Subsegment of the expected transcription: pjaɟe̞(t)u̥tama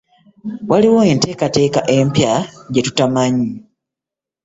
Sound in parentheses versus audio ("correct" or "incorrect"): correct